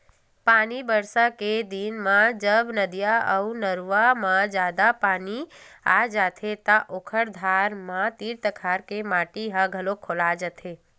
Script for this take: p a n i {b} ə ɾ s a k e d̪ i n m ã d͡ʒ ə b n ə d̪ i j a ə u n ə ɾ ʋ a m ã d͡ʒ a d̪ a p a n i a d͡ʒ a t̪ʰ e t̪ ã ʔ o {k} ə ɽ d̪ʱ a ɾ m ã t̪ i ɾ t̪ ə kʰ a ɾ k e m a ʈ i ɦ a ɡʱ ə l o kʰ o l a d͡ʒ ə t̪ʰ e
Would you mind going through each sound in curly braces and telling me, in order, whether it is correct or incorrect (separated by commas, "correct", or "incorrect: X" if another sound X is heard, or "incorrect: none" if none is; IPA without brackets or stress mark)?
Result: correct, incorrect: kʰ